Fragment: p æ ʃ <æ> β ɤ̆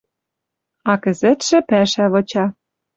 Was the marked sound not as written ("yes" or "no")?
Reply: no